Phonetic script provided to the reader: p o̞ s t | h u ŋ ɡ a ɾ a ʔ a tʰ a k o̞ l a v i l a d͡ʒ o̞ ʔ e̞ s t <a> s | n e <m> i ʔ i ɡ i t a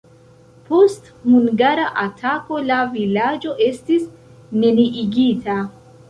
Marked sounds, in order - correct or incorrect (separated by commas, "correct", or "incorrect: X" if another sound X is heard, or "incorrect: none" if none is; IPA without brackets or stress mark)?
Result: incorrect: i, incorrect: n